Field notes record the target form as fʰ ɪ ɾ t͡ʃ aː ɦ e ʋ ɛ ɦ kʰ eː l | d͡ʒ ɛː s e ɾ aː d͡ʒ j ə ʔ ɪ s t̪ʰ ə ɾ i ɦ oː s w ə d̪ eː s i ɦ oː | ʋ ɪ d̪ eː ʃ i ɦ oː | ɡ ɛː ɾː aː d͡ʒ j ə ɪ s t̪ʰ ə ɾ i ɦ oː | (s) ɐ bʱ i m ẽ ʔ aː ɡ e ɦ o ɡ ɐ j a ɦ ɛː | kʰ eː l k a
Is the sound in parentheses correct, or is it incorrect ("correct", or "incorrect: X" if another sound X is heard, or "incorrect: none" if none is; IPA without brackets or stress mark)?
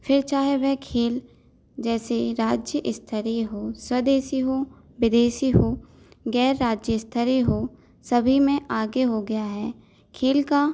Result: correct